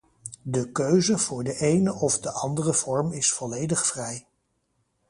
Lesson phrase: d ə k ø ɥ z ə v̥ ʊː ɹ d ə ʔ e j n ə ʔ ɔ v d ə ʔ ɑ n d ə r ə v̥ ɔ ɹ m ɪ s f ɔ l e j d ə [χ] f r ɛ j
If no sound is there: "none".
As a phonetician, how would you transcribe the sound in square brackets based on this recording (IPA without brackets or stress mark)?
χ